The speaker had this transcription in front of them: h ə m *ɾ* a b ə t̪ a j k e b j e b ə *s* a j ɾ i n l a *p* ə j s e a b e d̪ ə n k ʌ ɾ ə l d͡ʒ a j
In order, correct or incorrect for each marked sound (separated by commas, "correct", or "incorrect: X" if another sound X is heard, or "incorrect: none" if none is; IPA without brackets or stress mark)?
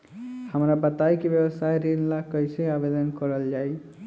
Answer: correct, correct, incorrect: k